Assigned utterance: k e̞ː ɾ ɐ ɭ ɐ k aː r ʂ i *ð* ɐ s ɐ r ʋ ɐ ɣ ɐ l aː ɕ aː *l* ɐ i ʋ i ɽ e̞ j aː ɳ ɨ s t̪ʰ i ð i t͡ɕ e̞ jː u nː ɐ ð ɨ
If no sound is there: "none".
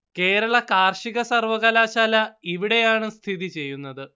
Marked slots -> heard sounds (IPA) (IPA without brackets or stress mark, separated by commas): ɣ, l